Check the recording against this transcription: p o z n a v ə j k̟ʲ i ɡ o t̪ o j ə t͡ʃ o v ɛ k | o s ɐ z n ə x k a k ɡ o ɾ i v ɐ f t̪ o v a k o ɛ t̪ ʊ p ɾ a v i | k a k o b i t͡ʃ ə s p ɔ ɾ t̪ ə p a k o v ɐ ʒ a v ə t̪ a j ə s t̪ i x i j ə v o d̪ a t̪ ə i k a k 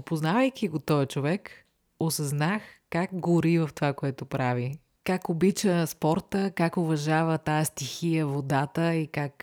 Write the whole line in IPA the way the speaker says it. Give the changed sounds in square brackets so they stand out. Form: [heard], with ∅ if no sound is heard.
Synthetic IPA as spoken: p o z n a v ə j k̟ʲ i ɡ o t̪ [ɔ] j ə t͡ʃ o v ɛ k | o s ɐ z n [a] x k a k ɡ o ɾ i v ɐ f t̪ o v a k o ɛ t̪ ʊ p ɾ a v i | k a k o b i t͡ʃ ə s p ɔ ɾ t̪ ə [k] a k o v ɐ ʒ a v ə t̪ a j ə s t̪ i x i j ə v o d̪ a t̪ ə i k a k